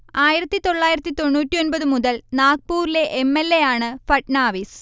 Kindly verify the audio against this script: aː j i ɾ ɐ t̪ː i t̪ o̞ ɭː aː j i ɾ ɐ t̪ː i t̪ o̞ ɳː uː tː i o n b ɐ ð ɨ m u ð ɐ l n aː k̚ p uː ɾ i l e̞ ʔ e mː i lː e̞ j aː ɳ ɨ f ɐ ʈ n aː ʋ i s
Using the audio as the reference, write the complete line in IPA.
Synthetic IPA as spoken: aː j i ɾ ɐ t̪ː i t̪ o̞ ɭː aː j i ɾ ɐ t̪ː i t̪ o̞ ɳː uː tː i o n b ɐ ð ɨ m u ð ɐ l n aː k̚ p uː ɾ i l e̞ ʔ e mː e lː e̞ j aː ɳ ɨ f ɐ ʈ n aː ʋ i s